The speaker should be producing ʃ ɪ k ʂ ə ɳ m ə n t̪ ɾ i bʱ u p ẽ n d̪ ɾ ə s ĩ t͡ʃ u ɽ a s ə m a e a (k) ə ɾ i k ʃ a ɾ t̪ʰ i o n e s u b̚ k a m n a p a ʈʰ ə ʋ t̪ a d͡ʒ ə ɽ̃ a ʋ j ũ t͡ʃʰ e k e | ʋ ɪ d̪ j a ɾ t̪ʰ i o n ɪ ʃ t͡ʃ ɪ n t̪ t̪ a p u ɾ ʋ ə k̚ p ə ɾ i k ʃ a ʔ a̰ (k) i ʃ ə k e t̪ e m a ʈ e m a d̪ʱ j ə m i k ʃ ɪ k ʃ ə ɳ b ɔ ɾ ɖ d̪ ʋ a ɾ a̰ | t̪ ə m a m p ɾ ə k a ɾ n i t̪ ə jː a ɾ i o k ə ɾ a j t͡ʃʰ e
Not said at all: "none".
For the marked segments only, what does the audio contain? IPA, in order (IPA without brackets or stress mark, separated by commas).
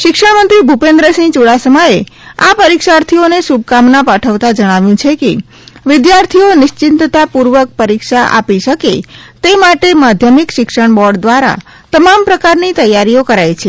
p, p